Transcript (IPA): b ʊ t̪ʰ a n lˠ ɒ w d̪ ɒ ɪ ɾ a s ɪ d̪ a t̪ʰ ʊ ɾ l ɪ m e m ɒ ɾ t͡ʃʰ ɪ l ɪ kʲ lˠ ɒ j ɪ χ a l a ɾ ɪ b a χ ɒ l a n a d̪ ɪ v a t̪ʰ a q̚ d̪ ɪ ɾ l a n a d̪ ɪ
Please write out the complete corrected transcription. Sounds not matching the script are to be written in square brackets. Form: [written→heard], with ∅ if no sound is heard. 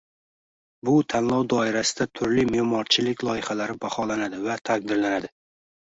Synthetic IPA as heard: b ʊ t̪ʰ a n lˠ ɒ w d̪ ɒ ɪ ɾ a s ɪ d̪ a t̪ʰ ʊ ɾ l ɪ m e m ɒ ɾ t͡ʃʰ ɪ l ɪ kʲ lˠ ɒ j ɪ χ a l a ɾ ɪ b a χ ɒ l a n a d̪ ɪ v a t̪ʰ a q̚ d̪ ɪ ɾ l a n a d̪ ɪ